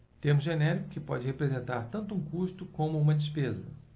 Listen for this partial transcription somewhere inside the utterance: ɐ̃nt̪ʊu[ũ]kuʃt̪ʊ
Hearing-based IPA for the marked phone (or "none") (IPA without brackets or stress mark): ũ